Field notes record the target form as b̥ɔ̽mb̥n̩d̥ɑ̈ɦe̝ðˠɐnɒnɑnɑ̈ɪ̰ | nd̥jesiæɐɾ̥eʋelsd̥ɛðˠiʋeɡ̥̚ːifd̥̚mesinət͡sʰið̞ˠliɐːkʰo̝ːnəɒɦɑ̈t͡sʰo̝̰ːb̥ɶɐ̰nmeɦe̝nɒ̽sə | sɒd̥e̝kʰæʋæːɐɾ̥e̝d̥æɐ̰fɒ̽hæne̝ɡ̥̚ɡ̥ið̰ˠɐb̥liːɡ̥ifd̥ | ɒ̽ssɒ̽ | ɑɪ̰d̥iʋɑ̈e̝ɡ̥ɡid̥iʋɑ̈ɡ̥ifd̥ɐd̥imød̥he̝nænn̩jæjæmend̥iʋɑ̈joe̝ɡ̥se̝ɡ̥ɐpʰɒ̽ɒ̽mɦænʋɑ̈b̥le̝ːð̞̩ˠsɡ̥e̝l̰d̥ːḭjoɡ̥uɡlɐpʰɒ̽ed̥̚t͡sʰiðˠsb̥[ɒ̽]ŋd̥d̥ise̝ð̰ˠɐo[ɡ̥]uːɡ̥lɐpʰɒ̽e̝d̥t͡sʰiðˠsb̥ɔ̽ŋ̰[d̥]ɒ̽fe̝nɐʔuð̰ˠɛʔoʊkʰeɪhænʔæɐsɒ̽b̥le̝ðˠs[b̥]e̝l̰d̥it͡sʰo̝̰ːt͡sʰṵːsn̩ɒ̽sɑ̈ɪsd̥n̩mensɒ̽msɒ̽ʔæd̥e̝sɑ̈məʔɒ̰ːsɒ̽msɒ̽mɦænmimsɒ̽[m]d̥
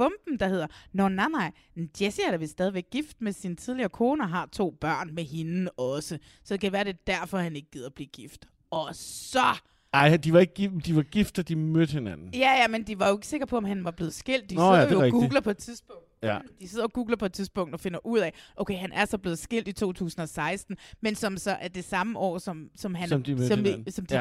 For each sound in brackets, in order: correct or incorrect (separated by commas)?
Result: incorrect, correct, correct, incorrect, correct